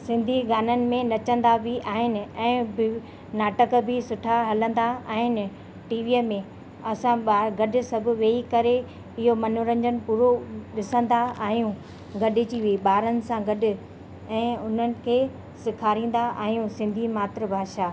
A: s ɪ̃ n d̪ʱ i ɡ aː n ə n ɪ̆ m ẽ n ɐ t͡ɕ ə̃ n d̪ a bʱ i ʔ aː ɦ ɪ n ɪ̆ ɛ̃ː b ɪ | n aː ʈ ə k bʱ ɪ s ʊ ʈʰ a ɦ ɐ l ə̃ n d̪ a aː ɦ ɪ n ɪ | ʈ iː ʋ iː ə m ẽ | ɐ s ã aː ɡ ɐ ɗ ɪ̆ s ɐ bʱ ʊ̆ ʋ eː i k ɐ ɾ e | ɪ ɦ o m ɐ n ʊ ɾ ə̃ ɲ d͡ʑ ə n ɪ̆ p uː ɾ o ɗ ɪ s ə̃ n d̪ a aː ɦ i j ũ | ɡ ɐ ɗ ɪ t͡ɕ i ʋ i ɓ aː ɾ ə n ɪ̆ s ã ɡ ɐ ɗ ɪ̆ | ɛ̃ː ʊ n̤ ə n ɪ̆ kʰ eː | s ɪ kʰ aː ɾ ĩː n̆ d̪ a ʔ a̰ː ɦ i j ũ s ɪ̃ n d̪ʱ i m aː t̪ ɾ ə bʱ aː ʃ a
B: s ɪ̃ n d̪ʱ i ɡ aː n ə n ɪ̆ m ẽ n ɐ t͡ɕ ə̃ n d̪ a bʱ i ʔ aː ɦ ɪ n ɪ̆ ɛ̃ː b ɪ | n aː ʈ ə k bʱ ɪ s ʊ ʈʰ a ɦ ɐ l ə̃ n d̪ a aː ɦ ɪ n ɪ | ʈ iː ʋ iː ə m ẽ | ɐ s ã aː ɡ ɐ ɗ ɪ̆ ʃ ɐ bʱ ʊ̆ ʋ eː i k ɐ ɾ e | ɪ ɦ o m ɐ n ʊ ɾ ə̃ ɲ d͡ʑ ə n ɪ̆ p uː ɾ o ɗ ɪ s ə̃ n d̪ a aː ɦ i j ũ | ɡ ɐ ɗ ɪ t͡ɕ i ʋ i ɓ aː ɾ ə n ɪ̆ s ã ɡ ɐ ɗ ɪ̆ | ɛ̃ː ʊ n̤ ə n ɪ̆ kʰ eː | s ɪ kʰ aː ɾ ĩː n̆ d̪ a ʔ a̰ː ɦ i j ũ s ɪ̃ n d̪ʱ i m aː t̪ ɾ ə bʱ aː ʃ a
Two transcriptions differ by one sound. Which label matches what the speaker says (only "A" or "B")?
A